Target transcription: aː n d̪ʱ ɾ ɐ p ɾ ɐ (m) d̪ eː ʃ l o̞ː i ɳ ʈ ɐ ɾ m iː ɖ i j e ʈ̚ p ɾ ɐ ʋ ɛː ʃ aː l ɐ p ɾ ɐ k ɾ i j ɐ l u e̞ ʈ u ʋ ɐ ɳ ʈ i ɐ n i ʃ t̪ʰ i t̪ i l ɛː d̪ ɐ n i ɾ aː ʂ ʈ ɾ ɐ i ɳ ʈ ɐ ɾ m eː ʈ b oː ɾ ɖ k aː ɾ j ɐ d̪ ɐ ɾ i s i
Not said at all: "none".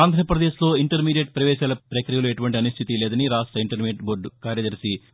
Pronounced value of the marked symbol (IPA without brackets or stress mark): none